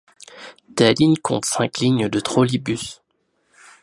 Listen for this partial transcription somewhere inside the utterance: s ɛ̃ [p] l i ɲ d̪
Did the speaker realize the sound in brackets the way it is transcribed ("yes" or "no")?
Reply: no